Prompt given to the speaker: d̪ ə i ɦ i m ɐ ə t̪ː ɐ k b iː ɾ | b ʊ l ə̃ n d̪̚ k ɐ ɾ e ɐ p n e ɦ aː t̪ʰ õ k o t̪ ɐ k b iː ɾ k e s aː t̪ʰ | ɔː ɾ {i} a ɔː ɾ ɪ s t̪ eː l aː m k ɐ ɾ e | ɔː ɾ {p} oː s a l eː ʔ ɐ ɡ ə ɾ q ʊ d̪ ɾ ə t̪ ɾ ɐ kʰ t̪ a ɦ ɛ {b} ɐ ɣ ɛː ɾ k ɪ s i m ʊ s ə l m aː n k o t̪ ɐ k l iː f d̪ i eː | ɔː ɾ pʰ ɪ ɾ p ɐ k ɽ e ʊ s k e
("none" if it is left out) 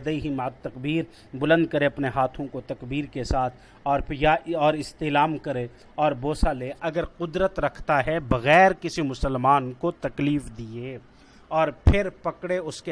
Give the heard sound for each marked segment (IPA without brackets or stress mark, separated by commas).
j, b, b